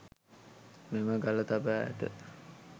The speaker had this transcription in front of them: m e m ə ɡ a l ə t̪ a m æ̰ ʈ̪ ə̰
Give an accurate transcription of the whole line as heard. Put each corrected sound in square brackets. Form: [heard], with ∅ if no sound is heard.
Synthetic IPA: m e m ə ɡ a l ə t̪ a [b] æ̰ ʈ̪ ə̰